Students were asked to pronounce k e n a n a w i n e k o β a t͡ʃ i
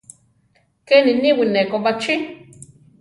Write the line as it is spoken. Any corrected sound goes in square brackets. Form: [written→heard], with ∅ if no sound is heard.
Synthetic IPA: k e n [a→i] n [a→i] w i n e k o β a t͡ʃ i